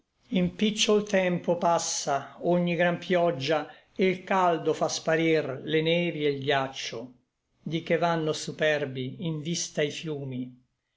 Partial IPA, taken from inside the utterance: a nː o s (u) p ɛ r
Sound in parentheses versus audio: correct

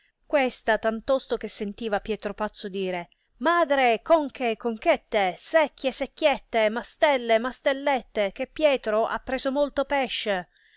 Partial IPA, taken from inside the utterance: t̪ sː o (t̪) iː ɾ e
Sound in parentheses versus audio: incorrect: d̪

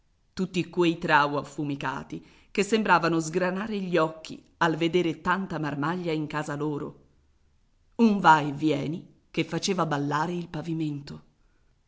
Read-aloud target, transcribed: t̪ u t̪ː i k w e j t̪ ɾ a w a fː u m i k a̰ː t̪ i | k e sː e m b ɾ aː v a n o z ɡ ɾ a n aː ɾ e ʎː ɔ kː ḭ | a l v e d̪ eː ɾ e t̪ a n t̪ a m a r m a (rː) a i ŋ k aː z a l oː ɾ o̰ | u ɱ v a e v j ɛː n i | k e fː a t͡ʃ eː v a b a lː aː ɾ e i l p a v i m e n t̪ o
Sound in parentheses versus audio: incorrect: ʎː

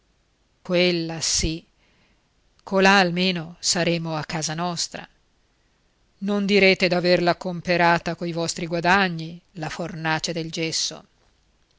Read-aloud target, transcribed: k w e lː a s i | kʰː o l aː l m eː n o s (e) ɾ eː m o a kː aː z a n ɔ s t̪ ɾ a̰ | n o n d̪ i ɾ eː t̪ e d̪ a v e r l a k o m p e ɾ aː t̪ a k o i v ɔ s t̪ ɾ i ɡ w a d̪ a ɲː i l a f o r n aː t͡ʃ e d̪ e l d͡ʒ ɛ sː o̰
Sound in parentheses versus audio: incorrect: a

